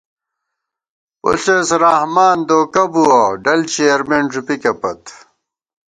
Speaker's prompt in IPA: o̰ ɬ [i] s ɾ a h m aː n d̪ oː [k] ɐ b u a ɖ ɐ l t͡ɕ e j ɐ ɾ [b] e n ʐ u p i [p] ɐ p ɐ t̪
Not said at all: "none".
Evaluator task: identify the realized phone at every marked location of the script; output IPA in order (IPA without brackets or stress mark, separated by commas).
e, k, m, k